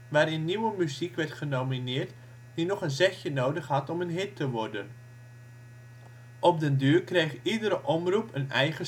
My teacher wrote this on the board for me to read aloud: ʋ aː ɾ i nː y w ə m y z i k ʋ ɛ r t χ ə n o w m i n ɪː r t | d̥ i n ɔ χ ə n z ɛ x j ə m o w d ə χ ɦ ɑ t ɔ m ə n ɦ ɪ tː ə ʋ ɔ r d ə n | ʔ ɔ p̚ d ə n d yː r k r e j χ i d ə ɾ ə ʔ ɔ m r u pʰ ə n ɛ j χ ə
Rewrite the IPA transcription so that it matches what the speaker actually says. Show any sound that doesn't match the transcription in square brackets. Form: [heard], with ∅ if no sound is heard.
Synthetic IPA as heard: ʋ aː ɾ [ɪ] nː [i] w ə m y z i k ʋ ɛ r t χ ə n o w m i n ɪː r t | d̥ i n ɔ χ ə n z ɛ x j ə [n] o w d ə χ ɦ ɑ t ɔ m ə n ɦ ɪ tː ə ʋ ɔ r d ə n | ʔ ɔ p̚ d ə n d yː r k r e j χ i d ə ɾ ə ʔ ɔ m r u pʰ ə n ɛ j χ ə